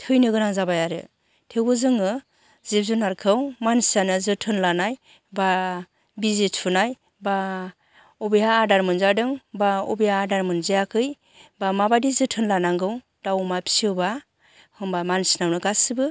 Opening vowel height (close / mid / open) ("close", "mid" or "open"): close